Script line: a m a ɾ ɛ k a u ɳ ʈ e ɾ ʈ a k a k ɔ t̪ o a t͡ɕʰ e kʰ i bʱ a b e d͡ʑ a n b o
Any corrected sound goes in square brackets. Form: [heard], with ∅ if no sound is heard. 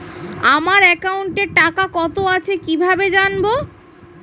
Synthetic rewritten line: a m a ɾ ɛ k a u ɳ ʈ e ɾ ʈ a k a k ɔ t̪ o a t͡ɕʰ e [k] i bʱ a b e d͡ʑ a n b o